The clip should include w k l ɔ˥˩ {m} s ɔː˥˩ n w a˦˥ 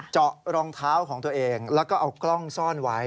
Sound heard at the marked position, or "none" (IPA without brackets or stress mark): ŋ